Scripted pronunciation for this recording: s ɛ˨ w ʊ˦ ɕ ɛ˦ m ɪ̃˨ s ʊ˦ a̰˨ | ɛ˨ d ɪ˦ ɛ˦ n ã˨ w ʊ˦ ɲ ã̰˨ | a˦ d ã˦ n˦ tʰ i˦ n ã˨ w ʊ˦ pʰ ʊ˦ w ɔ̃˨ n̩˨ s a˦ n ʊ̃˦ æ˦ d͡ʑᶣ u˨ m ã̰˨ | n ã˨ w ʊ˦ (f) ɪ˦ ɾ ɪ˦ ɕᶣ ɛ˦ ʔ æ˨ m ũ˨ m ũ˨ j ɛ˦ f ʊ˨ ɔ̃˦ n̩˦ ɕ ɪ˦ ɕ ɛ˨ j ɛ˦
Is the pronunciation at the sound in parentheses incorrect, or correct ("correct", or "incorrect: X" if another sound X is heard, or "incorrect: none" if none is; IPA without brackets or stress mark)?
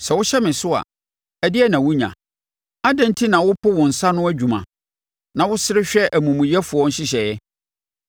incorrect: s